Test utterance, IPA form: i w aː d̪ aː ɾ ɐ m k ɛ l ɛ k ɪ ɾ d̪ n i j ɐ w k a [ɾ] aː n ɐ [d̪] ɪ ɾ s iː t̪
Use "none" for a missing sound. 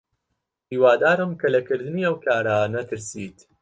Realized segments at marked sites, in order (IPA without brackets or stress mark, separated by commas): ɾ, t̪